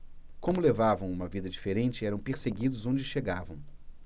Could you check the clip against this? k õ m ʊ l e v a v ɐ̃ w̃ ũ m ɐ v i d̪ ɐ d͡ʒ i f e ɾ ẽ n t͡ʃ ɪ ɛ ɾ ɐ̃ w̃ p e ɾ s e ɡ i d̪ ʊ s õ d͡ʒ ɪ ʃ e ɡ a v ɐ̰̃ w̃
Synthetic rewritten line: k õ m ʊ l e v a v ɐ̃ w̃ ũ m ɐ v i d̪ ɐ d͡ʒ i f e ɾ ẽ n t͡ʃ ɪ ɛ ɾ ɐ̃ w̃ p e ɾ s e ɡ i d̪ ʊ z õ d͡ʒ ɪ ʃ e ɡ a v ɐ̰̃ w̃